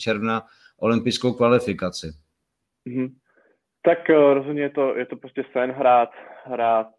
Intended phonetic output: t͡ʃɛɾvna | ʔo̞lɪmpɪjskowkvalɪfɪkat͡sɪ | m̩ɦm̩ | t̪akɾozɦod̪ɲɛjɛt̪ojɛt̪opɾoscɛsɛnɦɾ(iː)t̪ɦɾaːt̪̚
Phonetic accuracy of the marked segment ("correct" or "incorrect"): incorrect